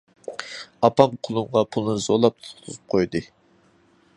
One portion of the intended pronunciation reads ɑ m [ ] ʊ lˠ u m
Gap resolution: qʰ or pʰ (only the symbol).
qʰ